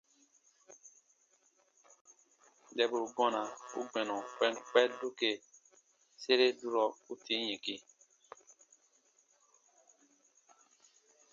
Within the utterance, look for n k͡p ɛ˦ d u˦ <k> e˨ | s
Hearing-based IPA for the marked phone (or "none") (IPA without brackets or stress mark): k